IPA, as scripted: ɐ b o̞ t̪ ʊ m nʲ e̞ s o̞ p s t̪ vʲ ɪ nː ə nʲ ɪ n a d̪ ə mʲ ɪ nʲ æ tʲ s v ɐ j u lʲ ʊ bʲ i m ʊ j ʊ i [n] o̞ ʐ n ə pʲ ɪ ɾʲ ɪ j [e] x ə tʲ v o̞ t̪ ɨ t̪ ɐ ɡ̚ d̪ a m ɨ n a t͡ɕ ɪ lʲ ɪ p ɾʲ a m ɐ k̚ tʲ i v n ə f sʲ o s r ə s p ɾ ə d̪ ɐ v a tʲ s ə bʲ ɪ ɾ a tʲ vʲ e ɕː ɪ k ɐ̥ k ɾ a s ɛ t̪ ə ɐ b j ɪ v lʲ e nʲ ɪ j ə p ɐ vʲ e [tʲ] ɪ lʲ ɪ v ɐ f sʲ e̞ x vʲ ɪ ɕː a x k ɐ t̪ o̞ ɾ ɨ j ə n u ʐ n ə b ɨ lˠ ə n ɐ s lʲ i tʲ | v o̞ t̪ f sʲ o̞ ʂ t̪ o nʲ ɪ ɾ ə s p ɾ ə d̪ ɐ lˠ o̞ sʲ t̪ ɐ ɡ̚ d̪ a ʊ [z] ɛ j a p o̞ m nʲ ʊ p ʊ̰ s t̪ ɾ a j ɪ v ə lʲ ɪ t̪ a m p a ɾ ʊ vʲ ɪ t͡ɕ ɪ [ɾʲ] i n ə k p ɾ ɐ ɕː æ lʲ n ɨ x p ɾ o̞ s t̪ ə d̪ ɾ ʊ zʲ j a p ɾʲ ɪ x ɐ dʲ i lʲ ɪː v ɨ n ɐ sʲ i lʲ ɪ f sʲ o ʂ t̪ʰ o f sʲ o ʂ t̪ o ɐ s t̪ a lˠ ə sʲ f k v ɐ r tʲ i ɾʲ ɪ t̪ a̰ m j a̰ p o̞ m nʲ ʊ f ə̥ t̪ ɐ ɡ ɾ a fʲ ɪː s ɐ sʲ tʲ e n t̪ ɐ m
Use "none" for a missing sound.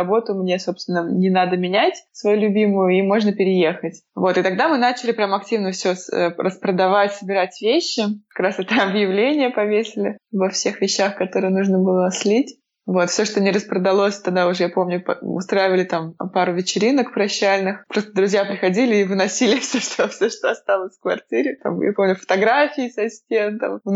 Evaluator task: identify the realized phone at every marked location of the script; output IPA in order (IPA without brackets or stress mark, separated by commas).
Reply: m, e, sʲ, ʐ, ɾʲ